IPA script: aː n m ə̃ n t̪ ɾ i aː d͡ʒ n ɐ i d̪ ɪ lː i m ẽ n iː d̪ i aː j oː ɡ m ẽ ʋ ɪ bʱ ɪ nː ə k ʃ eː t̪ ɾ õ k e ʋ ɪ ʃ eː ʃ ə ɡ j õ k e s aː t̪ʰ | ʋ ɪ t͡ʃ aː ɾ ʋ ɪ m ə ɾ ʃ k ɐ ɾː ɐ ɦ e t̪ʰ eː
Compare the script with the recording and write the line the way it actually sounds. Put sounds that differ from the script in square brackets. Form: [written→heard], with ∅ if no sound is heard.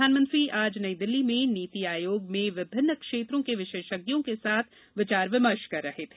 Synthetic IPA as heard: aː n m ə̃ n t̪ ɾ i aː d͡ʒ n ɐ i d̪ ɪ lː i m ẽ n iː [d̪→t̪] i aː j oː ɡ m ẽ ʋ ɪ bʱ ɪ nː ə k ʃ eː t̪ ɾ õ k e ʋ ɪ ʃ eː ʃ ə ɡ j õ k e s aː t̪ʰ | ʋ ɪ t͡ʃ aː ɾ ʋ ɪ m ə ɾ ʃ k ɐ ɾː ɐ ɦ e t̪ʰ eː